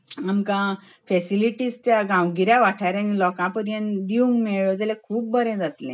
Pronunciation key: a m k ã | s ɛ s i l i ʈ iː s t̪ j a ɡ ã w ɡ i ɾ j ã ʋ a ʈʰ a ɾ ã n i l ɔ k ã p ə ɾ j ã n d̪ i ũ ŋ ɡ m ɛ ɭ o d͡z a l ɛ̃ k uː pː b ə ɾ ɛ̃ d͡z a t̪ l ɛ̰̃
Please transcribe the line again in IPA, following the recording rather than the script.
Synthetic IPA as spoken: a m k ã | f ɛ s i l i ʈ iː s t̪ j a ɡ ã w ɡ i ɾ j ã ʋ a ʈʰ a ɾ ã n i l ɔ k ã p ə ɾ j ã n d̪ i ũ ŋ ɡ m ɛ ɭ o d͡z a l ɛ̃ kʰ uː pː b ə ɾ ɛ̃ d͡z a t̪ l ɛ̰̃